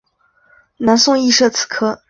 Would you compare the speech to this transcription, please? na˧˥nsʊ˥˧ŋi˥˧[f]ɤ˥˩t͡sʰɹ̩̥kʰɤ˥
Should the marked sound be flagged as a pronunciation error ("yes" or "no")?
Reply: yes